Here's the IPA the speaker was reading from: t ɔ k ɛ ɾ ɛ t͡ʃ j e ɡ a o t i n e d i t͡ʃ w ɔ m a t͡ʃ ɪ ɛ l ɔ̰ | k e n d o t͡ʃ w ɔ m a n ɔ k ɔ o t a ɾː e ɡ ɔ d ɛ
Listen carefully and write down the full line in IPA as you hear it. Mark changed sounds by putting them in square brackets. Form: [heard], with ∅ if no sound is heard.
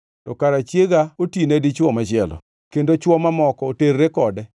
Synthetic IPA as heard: t ɔ k [a] ɾ [a] t͡ʃ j e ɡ a o t i n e d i t͡ʃ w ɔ m a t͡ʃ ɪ ɛ l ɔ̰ | k e n d o t͡ʃ w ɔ m a [m] ɔ k ɔ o t [e] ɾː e [k] ɔ d ɛ